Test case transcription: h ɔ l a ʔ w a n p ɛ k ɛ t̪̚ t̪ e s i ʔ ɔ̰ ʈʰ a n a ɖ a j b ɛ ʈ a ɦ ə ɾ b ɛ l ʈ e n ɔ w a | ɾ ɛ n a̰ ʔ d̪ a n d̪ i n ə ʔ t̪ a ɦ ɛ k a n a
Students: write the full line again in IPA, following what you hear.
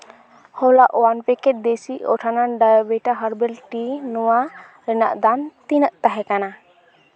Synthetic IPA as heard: h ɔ l a ʔ w a n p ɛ k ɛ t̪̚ d̪ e s i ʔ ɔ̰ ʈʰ a n a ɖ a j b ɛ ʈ a ɦ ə ɾ b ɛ l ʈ i n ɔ w a | ɾ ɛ n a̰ ʔ d̪ a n t̪ i n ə ʔ t̪ a ɦ ɛ k a n a